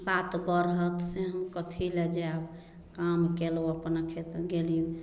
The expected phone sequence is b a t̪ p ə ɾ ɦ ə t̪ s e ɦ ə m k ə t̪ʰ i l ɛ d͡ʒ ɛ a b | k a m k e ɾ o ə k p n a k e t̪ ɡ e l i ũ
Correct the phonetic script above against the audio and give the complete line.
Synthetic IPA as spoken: b a t̪ b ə ɾ ɦ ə t̪ s e ɦ ə m k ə t̪ʰ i l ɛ d͡ʒ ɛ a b | k a m k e l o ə p n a kʰ e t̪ ɡ e l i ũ